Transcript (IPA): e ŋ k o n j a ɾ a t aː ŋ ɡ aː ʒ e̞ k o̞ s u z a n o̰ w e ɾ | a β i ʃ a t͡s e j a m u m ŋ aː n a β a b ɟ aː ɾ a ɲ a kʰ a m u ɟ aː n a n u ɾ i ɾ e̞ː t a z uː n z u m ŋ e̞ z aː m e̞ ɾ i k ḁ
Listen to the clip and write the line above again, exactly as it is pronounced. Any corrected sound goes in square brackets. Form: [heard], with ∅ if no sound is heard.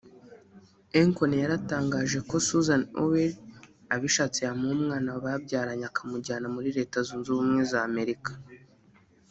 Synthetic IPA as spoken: e ŋ k o n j a ɾ a t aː ŋ ɡ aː ʒ e̞ k o̞ s u z a n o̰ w e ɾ | a β i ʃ a t͡s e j a m u m ŋ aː n a β a b ɟ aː ɾ a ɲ a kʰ a m u ɟ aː n a [m] u ɾ i ɾ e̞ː t a z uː n z u m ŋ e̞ z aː m e̞ ɾ i k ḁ